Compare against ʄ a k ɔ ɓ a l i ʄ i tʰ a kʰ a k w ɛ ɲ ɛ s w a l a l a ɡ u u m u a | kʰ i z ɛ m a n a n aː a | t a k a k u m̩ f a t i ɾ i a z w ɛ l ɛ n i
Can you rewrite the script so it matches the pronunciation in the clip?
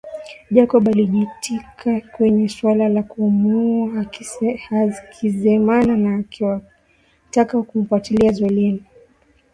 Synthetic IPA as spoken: ʄ a k ɔ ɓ a l i ʄ i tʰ i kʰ a k w ɛ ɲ ɛ s w a l a l a k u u m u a | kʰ i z ɛ m a n a n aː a | t a k a k u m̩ f a t i l i a z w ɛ l ɛ n i